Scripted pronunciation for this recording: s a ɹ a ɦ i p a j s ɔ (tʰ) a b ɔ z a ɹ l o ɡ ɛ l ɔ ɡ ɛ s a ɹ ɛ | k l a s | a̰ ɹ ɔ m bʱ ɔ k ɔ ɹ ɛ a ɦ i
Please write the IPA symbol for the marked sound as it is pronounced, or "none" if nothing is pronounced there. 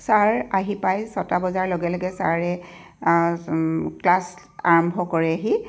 t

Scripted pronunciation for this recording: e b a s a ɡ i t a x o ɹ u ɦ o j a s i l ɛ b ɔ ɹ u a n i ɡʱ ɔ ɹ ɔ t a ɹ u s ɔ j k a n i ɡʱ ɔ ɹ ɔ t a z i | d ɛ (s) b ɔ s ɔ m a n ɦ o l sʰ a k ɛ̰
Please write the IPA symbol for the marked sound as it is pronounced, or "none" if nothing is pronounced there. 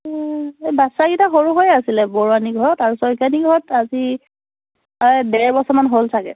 none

